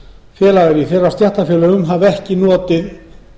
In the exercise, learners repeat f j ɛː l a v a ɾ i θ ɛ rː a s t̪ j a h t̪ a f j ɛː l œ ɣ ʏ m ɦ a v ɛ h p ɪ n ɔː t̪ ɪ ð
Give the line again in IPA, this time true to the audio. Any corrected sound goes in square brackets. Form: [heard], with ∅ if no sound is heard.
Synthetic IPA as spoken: f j ɛː l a [ɣ] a ɾ i θ ɛ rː a s t̪ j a h t̪ a f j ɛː l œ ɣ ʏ m ɦ a v ɛ h [c] ɪ n ɔː t̪ ɪ ð

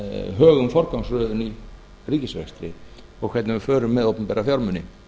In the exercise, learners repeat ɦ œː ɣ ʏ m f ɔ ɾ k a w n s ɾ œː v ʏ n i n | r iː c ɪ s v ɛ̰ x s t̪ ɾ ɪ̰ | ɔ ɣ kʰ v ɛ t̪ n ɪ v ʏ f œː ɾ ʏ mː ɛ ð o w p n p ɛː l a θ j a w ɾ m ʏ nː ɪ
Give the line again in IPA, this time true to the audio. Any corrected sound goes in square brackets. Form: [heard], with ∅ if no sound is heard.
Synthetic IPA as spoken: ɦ œː ɣ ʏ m f ɔ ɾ k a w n s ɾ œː [ð] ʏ n i [∅] | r iː c ɪ s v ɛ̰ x s t̪ ɾ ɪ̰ | ɔ ɣ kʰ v ɛ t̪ n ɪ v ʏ f œː ɾ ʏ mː ɛ ð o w p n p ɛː [ɾ] a [f] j a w ɾ m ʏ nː ɪ

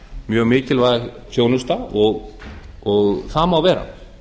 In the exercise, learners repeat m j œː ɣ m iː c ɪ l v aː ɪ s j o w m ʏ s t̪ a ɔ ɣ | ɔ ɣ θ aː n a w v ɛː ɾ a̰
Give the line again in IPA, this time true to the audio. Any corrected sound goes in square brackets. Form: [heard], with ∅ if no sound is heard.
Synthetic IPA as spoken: m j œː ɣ m [ɪː] c ɪ l v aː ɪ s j o w [n] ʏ s t̪ a ɔ ɣ | ɔ ɣ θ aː [m] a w v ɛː ɾ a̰

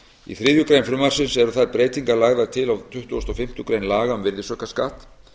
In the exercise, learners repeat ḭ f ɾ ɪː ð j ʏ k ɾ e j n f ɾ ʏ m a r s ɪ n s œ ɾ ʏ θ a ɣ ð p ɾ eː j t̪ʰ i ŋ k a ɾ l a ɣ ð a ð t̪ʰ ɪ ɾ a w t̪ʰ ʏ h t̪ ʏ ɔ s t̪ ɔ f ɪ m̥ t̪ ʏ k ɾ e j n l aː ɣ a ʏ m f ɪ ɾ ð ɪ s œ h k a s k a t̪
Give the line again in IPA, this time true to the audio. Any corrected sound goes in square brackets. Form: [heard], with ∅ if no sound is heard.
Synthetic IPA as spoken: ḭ [θ] ɾ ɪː ð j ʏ k ɾ e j n f ɾ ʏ m a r s ɪ n s [ɛ] ɾ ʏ θ a [∅] ð p ɾ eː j [t̪] i ŋ k a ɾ l a ɣ ð a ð t̪ʰ ɪ [l] a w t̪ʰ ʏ h t̪ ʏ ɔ s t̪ ɔ f ɪ m̥ t̪ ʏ k ɾ e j n l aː ɣ a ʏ m [v] ɪ ɾ ð ɪ s œ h k a s k a t̪

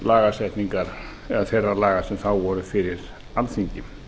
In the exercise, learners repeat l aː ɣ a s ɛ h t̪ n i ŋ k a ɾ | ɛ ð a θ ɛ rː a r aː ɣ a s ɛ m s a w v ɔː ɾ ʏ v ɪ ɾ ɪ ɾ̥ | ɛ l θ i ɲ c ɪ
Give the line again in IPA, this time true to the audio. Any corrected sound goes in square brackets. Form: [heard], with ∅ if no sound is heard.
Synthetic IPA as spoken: l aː ɣ a s ɛ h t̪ n i ŋ k a ɾ | ɛ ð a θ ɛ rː a [l] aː ɣ a s ɛ m [θ] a w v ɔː ɾ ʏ [f] ɪ ɾ ɪ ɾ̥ | [a] l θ i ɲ c ɪ

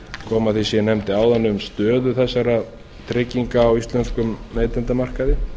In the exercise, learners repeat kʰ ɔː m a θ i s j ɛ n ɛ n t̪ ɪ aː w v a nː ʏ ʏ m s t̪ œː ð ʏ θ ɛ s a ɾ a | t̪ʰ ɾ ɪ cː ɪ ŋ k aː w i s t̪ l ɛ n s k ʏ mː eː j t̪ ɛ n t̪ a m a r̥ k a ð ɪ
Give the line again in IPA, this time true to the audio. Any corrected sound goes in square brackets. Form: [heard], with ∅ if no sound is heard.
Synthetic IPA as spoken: kʰ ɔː m a θ i s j ɛ n ɛ [m] t̪ ɪ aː w [ð] a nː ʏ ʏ m s t̪ œː ð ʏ θ ɛ [sː] a ɾ a | t̪ʰ ɾ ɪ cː [i] ŋ k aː w i s t̪ l ɛ n s k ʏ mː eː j t̪ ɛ n t̪ a m a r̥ k a ð ɪ

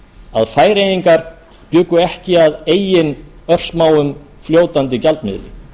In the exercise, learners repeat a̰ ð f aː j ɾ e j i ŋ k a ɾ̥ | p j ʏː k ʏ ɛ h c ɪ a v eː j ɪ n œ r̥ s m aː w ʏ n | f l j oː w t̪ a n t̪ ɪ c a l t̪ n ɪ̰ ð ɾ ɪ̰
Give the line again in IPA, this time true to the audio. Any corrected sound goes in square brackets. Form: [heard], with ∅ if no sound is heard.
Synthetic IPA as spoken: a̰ ð f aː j ɾ e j i ŋ k a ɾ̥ | p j ʏː k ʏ ɛ h c ɪ a [ð] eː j ɪ n œ r̥ s m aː w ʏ [m] | f l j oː w t̪ a n t̪ ɪ c a l t̪ [m] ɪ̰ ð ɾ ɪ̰

